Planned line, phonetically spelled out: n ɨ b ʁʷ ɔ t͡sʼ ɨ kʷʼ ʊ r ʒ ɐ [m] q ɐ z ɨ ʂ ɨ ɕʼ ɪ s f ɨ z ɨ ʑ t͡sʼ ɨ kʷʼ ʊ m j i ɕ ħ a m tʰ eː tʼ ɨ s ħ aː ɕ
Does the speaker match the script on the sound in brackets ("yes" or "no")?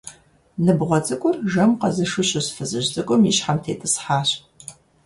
yes